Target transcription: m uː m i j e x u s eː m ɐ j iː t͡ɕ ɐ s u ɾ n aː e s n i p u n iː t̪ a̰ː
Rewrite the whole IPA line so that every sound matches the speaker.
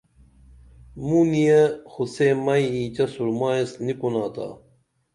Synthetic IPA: m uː n i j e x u s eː m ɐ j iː t͡ɕ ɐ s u ɾ m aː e s n i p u n aː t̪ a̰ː